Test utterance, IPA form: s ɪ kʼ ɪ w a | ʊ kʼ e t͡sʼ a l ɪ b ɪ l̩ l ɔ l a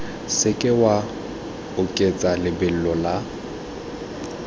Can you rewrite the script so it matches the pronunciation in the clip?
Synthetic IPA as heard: s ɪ kʼ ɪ w a | ʊ kʼ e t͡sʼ a l ɪ b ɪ l̩ l ɔ l a